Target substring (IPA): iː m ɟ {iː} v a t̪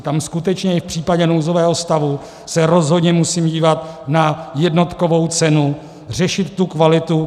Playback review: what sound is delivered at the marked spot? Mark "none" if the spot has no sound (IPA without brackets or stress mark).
iː